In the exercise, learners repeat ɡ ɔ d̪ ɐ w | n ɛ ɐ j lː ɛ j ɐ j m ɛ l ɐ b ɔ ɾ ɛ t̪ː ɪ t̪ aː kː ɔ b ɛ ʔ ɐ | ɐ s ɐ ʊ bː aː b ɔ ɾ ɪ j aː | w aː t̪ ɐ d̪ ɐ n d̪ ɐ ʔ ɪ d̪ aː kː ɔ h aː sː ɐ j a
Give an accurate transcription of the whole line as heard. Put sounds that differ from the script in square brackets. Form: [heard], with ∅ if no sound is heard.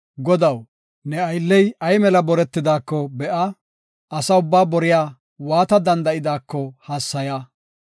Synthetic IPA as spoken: ɡ ɔ d̪ ɐ w | n ɛ ɐ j lː ɛ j ɐ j m ɛ l ɐ b ɔ ɾ ɛ t̪ː ɪ [d̪] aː kː ɔ b ɛ ʔ ɐ | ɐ s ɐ ʊ bː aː b ɔ ɾ ɪ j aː | w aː t̪ ɐ d̪ ɐ n d̪ ɐ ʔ ɪ d̪ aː kː ɔ h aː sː ɐ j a